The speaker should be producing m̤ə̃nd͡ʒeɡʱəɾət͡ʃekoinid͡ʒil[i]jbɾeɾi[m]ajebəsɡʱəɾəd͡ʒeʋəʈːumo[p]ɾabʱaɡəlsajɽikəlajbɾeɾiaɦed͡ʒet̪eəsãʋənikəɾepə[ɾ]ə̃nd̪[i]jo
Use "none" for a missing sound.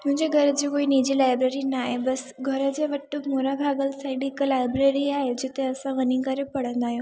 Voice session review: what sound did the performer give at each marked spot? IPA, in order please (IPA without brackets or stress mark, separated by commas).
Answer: a, n, none, ɽ, a